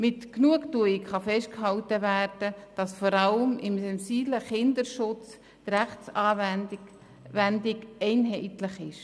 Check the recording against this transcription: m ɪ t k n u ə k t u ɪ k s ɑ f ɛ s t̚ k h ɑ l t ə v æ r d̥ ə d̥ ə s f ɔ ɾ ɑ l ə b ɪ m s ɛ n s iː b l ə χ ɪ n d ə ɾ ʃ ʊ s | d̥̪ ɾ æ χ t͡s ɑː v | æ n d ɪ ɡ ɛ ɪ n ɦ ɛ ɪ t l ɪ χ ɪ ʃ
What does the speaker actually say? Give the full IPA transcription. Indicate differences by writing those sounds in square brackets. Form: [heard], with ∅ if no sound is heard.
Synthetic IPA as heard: m ɪ t k n u ə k t u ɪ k [χ] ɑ f ɛ [ʃ] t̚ k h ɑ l t ə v æ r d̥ ə d̥ [ɑ] s f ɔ ɾ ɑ l ə [m] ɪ m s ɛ n s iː b l ə χ ɪ n d ə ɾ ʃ ʊ [t͡s] | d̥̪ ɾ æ χ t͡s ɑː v | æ n d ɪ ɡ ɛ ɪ n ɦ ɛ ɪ t l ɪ χ ɪ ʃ

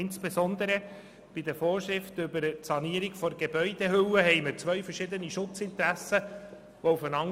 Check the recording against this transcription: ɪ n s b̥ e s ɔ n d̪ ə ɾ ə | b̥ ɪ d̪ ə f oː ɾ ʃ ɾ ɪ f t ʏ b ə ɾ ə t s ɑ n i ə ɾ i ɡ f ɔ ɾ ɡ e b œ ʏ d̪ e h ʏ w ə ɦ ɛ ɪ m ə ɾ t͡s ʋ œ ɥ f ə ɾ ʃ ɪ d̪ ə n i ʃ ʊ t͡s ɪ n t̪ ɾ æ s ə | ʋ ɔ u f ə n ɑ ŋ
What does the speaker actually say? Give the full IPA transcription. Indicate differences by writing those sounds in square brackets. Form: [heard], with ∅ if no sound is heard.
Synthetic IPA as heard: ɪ n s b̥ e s ɔ n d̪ ə ɾ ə | b̥ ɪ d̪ ə f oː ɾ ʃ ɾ ɪ f t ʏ b ə ɾ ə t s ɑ n i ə ɾ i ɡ f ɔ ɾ ɡ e b œ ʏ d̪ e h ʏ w ə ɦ ɛ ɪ m ə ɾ t͡s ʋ œ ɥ f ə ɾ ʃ ɪ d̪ ə n i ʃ ʊ t͡s ɪ n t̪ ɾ æ s ə | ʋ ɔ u f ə n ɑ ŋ

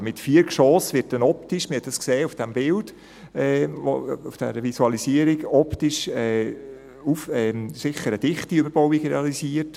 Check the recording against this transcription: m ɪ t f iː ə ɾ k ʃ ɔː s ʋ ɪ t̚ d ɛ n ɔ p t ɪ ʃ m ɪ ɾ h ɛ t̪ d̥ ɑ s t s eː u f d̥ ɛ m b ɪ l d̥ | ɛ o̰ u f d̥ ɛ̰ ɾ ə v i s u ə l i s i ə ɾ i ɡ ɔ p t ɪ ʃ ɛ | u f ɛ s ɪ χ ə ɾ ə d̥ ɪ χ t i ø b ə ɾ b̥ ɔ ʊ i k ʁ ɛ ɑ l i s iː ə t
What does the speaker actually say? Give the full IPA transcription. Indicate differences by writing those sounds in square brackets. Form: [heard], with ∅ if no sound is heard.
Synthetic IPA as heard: m ɪ t f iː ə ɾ k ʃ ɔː s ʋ ɪ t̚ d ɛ n ɔ p t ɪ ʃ m ɪ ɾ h ɛ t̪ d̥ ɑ s [k] s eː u f d̥ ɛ m b ɪ l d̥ | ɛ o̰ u f d̥ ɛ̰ ɾ ə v i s u [ɑ] l i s i ə ɾ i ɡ ɔ p t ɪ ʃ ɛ | u f ɛ s ɪ χ ə ɾ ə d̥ ɪ χ t i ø b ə ɾ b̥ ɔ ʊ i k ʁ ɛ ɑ l i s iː ə t

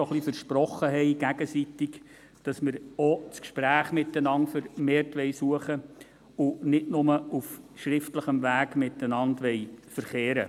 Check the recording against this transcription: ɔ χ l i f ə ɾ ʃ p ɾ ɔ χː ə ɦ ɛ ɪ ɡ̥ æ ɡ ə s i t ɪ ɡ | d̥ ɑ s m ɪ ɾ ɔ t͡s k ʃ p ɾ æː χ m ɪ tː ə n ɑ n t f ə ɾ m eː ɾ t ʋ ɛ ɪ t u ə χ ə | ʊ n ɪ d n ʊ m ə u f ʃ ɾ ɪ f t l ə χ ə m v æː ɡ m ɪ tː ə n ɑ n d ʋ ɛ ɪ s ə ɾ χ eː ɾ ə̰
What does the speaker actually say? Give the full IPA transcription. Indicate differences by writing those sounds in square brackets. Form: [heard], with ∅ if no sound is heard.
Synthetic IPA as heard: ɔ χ l i f ə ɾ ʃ p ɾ ɔ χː ə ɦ ɛ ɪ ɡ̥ æ ɡ ə s i t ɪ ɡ | d̥ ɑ s m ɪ ɾ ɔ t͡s k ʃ p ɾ æː χ m ɪ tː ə n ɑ n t f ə ɾ m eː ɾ t ʋ ɛ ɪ [s] u ə χ ə | ʊ n ɪ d n ʊ m ə u f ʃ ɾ ɪ f t l ə χ ə m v æː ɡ m ɪ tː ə n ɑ n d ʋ ɛ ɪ [f] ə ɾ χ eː ɾ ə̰

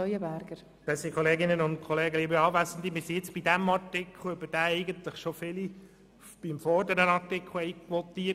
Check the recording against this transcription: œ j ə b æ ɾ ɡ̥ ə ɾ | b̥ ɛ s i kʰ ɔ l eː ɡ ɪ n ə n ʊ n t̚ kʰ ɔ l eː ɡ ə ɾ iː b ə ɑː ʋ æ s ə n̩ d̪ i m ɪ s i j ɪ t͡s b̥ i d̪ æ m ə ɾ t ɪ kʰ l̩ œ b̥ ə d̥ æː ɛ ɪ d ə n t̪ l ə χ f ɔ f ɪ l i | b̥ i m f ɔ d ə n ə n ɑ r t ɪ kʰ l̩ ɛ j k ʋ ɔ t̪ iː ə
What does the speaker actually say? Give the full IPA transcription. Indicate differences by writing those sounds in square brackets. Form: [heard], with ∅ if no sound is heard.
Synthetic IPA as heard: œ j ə b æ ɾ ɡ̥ ə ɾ | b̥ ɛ s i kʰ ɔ l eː ɡ ɪ n ə n ʊ n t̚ kʰ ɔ l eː ɡ ə [l] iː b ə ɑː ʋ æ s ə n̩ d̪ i m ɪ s i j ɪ t͡s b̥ i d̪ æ m [ɑ] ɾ t ɪ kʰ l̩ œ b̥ ə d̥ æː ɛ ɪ [ɡ] ə n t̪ l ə χ [ʃ] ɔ f ɪ l i | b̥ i m f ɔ d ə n ə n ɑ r t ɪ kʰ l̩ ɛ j k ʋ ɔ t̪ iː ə

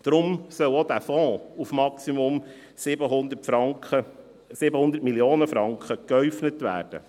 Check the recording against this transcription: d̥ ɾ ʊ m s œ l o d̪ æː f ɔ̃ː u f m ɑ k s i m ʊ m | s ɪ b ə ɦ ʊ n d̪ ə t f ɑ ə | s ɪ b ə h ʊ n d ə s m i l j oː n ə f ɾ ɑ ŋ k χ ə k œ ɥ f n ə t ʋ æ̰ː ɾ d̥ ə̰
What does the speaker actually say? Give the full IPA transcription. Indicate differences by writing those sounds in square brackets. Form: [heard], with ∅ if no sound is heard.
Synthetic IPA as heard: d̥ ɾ ʊ m s œ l o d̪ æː f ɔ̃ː u f m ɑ k s i m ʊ m | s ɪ b ə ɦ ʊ n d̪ ə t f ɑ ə | s ɪ b ə h ʊ n d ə [t] m i l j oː n ə f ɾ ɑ ŋ k χ ə k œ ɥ f n ə t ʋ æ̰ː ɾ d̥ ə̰

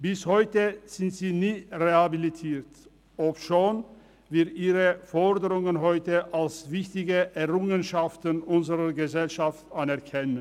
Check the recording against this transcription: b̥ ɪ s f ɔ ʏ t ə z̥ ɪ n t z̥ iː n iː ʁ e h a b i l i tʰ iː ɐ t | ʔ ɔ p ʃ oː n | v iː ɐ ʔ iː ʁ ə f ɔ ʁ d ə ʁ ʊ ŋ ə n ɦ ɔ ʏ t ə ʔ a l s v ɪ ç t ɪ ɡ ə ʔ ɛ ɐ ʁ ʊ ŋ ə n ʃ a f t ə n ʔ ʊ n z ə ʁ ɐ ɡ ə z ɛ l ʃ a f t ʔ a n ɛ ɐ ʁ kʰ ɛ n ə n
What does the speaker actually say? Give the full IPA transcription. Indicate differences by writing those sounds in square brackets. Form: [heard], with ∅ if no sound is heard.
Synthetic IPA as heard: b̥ ɪ s [h] ɔ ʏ t ə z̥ ɪ n t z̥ iː n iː ʁ e h a b i l i tʰ iː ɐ t | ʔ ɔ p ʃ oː n | v iː ɐ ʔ iː ʁ ə f ɔ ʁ d ə ʁ ʊ ŋ ə n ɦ ɔ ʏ t ə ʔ a l s v ɪ ç t ɪ ɡ ə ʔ ɛ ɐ ʁ ʊ ŋ ə n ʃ a f t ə n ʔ ʊ n z ə ʁ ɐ ɡ ə z ɛ l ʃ a f t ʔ a n ɛ ɐ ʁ kʰ ɛ n ə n

